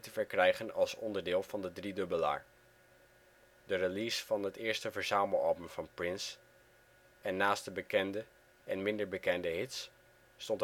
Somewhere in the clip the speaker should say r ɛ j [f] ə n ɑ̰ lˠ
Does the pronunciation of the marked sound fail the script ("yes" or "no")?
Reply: yes